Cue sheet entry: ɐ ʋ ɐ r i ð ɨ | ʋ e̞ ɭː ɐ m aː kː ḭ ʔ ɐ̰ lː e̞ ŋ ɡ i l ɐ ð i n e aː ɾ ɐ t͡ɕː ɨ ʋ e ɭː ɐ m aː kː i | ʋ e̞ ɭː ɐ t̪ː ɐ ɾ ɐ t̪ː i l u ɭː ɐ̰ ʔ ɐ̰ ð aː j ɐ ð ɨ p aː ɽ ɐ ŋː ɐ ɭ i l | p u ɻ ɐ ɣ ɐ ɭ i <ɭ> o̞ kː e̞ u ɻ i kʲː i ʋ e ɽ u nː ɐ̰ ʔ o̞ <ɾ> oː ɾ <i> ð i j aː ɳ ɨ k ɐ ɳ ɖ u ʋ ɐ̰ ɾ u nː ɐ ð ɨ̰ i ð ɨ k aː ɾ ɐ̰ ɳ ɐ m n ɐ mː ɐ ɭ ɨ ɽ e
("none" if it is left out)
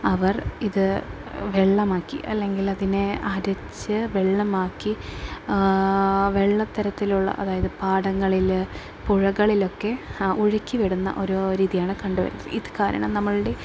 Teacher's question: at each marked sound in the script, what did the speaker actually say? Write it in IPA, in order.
l, ɾ, iː

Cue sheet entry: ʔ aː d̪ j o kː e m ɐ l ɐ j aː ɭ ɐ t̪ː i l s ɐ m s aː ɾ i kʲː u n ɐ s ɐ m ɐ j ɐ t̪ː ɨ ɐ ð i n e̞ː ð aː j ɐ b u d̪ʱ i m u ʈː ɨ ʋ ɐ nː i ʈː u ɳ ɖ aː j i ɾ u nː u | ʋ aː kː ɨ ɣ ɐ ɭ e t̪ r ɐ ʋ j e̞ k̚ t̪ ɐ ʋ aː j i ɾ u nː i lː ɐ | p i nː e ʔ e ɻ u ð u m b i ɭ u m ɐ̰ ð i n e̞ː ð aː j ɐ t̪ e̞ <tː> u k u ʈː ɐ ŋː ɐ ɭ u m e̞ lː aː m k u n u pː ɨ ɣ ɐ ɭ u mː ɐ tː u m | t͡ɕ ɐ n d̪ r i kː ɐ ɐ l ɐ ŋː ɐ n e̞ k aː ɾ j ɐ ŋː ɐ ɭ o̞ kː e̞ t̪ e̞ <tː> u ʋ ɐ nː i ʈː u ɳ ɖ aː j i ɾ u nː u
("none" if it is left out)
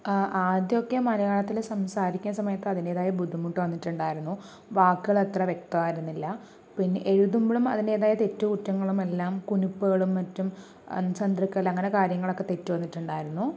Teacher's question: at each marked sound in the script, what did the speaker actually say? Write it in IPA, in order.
tː, tː

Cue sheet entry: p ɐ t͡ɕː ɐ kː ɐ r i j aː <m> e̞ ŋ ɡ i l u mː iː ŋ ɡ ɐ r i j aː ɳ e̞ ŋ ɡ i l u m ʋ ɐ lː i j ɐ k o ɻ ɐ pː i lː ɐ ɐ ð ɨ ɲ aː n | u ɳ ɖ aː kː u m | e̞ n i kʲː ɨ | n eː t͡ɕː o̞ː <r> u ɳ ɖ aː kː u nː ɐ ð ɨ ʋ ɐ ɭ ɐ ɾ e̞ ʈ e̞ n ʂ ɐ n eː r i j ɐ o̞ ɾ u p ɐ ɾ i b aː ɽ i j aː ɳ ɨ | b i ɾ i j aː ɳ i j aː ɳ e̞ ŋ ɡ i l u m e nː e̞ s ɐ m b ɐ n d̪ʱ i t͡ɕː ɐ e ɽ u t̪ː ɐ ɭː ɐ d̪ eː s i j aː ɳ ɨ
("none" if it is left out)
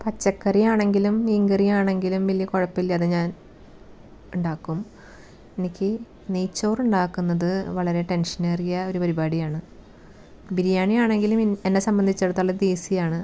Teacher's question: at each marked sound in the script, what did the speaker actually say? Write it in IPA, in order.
ɳ, r

